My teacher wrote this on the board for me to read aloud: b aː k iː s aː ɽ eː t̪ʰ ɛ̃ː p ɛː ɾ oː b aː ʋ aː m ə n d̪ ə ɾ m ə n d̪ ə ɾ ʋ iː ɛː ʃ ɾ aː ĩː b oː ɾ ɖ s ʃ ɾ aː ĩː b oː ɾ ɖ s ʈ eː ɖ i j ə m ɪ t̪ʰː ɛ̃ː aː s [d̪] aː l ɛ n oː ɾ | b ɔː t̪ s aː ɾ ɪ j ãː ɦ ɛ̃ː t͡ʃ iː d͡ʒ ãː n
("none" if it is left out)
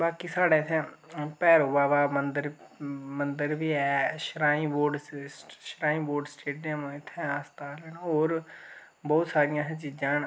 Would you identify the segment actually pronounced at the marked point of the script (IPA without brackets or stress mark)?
t̪